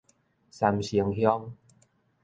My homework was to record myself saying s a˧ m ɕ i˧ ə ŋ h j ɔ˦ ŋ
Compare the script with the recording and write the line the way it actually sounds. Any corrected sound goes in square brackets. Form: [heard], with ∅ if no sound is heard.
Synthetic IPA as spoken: s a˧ m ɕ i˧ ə ŋ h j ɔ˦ ŋ